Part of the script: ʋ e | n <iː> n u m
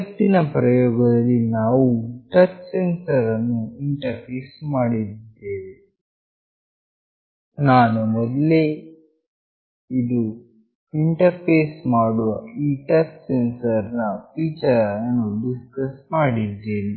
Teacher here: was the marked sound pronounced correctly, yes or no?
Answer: no